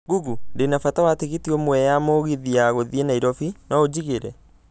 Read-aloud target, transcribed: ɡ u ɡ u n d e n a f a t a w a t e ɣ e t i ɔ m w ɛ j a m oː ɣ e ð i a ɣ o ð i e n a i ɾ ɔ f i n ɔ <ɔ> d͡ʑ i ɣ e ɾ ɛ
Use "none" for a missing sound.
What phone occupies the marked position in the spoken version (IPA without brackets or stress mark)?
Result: o